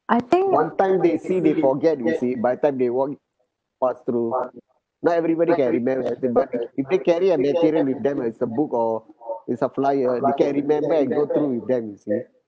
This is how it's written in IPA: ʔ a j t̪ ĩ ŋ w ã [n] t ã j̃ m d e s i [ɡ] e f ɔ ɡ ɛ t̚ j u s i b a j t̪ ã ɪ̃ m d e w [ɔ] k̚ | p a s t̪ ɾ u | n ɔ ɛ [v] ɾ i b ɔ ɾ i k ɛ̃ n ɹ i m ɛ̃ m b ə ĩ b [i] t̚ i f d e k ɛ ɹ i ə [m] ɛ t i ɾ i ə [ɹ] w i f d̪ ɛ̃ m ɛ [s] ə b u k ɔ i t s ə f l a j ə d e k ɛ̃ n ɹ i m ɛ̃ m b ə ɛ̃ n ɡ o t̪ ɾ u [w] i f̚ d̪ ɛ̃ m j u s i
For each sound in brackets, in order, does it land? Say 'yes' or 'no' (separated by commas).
yes, no, yes, yes, no, yes, no, yes, yes